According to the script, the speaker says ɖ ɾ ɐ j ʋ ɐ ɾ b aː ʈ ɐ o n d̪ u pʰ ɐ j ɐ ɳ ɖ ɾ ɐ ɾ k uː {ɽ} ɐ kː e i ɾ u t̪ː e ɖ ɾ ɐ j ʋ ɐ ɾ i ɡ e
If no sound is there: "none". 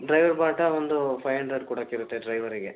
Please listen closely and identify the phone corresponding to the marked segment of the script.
ɽ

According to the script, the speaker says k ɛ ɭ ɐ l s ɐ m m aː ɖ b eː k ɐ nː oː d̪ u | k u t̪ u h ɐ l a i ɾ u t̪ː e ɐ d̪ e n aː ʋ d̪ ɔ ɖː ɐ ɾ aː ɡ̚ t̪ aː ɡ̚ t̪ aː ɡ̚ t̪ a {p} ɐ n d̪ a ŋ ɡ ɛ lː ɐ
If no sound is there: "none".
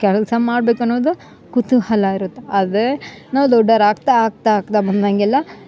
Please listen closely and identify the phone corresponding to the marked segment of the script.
b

